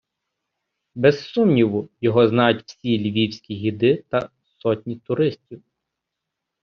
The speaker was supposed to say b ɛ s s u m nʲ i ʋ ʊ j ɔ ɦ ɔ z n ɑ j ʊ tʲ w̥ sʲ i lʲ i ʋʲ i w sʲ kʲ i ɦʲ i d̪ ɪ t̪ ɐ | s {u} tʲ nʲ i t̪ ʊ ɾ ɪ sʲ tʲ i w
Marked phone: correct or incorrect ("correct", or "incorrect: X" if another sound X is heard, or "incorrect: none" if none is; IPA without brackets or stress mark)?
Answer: incorrect: ɔ